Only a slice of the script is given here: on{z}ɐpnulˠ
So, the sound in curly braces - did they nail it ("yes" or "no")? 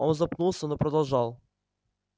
yes